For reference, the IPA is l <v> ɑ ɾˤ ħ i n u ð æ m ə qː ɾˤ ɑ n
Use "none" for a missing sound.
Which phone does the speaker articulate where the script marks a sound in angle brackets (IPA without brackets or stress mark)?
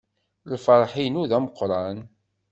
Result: f